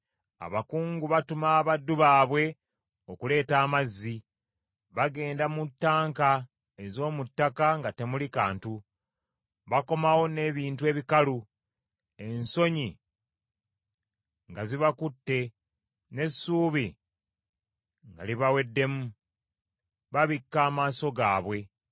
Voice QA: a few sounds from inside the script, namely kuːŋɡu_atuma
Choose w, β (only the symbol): β